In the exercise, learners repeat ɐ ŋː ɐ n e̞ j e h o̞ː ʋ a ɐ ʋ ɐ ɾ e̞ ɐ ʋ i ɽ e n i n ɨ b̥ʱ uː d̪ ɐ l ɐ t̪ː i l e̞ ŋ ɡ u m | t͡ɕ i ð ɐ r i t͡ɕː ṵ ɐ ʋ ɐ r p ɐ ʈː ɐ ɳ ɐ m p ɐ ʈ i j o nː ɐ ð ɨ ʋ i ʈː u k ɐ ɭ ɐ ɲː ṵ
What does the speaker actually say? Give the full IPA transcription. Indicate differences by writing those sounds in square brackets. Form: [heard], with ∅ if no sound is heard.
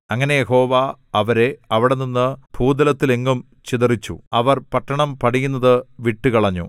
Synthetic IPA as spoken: ɐ ŋː ɐ n e̞ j e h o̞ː ʋ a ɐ ʋ ɐ ɾ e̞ ɐ ʋ i ɽ e n i [nː] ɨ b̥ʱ uː d̪ ɐ l ɐ t̪ː i l e̞ ŋ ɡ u m | t͡ɕ i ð ɐ r i t͡ɕː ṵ ɐ ʋ ɐ r p ɐ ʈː ɐ ɳ ɐ m p ɐ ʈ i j [u] nː ɐ ð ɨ ʋ i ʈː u k ɐ ɭ ɐ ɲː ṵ